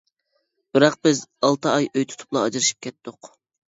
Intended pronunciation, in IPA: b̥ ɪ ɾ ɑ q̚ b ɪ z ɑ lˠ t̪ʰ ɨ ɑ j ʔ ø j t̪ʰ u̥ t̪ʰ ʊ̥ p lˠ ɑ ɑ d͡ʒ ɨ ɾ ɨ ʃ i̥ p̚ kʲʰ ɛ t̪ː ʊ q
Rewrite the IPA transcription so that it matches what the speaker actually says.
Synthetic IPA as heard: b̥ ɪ ɾ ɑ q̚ b ɪ z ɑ lˠ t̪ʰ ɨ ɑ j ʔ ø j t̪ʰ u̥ t̪ʰ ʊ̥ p lˠ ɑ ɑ d͡ʒ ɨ ɾ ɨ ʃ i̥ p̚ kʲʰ ɛ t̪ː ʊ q